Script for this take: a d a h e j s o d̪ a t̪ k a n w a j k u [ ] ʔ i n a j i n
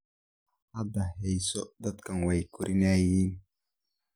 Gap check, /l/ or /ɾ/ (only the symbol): ɾ